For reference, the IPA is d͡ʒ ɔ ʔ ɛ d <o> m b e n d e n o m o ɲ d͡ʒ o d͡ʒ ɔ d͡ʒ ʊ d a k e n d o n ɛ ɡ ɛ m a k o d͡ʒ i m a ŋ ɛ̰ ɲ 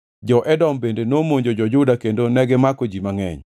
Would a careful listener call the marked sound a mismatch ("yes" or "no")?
yes